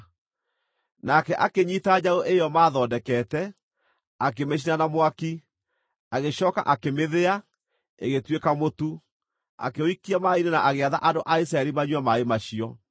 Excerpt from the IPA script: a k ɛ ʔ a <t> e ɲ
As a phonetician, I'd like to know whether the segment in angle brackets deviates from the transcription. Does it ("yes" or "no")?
yes